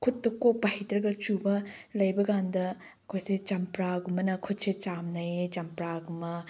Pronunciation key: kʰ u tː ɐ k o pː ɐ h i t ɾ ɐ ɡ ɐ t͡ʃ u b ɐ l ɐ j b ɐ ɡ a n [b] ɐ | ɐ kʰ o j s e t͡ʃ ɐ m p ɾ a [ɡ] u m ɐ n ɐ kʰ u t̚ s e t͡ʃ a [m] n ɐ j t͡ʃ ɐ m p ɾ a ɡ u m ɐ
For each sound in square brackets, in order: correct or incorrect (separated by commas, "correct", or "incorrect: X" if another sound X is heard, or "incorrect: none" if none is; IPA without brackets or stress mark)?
incorrect: d, correct, correct